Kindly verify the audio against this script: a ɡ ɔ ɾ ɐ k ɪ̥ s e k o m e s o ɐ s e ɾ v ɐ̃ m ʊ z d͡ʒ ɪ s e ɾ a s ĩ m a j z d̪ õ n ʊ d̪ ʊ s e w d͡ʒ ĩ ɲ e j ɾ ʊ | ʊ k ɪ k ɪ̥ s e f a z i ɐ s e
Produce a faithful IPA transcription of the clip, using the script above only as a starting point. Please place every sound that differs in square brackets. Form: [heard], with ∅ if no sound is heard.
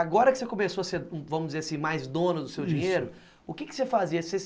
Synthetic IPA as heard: a ɡ ɔ ɾ ɐ k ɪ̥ s e k o m e s o ɐ s e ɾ v ɐ̃ m ʊ z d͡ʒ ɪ [z] e ɾ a s ĩ m a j z d̪ õ n ʊ d̪ ʊ s e w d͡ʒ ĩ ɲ e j ɾ ʊ | ʊ k ɪ k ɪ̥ s e f a z i ɐ s e